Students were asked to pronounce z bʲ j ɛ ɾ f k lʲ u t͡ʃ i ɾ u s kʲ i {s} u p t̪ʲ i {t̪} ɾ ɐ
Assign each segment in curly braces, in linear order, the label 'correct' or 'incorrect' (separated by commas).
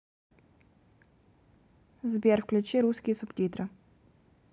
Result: correct, correct